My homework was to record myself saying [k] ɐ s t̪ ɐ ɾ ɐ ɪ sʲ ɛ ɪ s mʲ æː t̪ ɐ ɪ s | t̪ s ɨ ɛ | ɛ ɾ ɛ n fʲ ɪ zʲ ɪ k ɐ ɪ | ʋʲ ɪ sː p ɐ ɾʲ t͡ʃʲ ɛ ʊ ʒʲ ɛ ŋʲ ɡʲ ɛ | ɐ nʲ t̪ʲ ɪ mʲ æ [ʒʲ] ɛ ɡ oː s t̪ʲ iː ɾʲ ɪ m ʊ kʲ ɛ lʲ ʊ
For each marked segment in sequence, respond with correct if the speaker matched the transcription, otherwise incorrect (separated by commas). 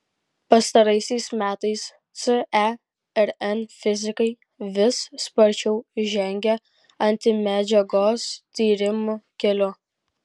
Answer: incorrect, incorrect